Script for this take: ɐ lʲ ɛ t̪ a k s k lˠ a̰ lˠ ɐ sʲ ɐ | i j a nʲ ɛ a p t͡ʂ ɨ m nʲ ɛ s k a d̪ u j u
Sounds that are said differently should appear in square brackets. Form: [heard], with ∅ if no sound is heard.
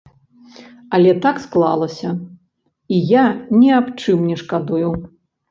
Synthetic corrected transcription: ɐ lʲ ɛ t̪ a k s k lˠ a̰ lˠ ɐ sʲ ɐ | i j a nʲ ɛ a p t͡ʂ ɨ m nʲ ɛ [ʂ] k a d̪ u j u